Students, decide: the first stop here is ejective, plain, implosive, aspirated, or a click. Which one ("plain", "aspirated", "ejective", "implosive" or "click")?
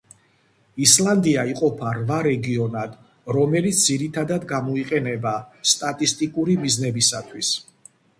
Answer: plain